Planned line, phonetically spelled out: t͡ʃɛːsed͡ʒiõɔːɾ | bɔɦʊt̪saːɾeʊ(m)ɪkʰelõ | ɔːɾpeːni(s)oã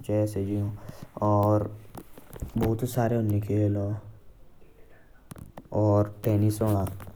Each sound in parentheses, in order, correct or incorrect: incorrect, correct

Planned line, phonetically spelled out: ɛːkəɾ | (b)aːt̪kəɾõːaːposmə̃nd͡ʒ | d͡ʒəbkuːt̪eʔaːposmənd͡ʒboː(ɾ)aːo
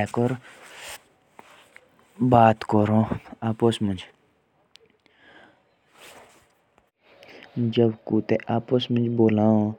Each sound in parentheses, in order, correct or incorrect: correct, incorrect

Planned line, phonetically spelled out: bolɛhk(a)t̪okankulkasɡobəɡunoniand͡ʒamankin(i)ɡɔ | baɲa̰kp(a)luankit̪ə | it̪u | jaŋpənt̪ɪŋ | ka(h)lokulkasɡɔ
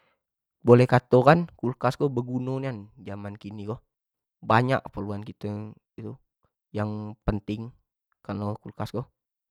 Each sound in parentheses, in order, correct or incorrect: correct, correct, incorrect, incorrect

